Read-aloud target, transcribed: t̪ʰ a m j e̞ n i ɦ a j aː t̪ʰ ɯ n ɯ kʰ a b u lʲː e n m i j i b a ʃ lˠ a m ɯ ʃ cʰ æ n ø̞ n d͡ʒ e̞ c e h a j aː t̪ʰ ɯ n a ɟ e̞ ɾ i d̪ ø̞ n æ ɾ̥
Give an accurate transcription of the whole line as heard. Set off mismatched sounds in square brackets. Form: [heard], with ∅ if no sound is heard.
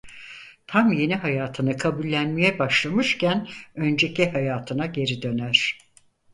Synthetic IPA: t̪ʰ a m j e̞ n i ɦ a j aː t̪ʰ ɯ n ɯ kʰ a b u lʲː [æ] n m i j [ɛ] b a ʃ lˠ a m ɯ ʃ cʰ æ n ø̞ n d͡ʒ e̞ c [i] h a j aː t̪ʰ ɯ n a ɟ e̞ ɾ i d̪ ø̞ n æ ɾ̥